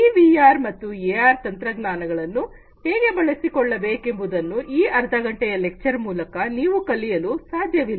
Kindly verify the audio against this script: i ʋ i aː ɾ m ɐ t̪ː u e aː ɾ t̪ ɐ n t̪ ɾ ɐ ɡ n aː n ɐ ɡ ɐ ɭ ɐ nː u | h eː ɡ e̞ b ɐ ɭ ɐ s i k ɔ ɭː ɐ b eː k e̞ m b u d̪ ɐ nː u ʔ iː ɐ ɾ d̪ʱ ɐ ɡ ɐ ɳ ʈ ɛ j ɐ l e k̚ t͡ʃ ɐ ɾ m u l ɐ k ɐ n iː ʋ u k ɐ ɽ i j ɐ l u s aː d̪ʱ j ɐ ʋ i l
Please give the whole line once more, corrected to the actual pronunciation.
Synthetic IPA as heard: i ʋ i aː ɾ m ɐ t̪ː u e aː ɾ t̪ ɐ n t̪ ɾ ɐ ɡ n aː n ɐ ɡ ɐ ɭ ɐ nː u | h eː ɡ e̞ b ɐ ɭ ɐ s i k ɔ ɭː ɐ b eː k e̞ m b u d̪ ɐ nː u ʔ iː ɐ ɾ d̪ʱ ɐ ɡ ɐ ɳ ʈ ɛ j ɐ l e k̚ t͡ʃ ɐ ɾ m uː l ɐ k ɐ n iː ʋ u k ɐ l i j ɐ l u s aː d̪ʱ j ɐ ʋ i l